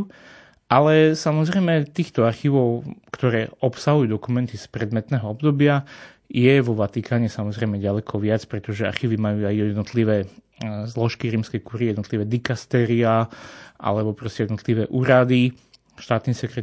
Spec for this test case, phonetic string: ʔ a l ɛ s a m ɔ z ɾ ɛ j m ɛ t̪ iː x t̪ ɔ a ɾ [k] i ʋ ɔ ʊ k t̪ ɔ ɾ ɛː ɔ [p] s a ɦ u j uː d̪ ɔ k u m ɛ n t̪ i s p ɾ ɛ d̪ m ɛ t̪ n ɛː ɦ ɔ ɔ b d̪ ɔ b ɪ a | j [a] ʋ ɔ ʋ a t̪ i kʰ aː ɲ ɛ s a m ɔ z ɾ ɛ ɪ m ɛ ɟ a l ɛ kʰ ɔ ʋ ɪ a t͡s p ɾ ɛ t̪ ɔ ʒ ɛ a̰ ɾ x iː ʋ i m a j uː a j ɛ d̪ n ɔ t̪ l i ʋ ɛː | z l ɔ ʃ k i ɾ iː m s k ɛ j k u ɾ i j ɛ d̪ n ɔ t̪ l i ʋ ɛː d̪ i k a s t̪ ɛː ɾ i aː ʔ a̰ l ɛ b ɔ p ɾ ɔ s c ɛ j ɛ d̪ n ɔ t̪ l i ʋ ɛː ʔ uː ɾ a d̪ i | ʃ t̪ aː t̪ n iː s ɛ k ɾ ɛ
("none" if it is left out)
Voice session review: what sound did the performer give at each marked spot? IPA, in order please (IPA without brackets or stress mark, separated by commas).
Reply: x, p, ɛ